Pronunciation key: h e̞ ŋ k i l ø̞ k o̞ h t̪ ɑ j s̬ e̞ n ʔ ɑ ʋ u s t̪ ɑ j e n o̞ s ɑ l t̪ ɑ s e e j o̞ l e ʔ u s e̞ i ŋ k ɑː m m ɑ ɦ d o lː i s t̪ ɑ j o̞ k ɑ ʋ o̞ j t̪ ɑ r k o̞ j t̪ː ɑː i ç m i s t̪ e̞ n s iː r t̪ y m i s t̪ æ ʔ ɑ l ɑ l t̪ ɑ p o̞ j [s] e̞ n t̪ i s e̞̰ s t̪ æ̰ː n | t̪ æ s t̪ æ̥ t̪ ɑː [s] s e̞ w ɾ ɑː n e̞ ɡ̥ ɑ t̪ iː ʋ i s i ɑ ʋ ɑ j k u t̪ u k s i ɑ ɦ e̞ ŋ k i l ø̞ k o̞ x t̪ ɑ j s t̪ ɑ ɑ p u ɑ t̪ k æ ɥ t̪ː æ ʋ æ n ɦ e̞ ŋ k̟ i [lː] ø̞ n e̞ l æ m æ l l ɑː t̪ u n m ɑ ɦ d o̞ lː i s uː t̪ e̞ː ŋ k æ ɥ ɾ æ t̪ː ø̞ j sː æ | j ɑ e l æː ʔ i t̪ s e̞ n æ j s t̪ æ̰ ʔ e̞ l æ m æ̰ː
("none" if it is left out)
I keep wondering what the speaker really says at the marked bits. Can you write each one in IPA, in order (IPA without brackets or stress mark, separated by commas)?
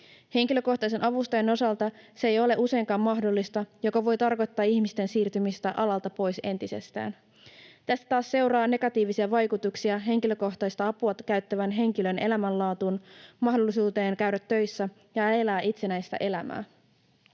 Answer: s, s, l